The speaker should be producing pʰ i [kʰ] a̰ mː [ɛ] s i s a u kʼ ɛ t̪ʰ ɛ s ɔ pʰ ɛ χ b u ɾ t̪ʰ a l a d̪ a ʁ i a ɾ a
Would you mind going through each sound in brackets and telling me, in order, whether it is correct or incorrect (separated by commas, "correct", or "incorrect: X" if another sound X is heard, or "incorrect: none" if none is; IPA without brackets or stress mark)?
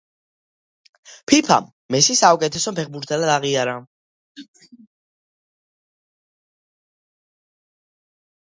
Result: incorrect: pʰ, correct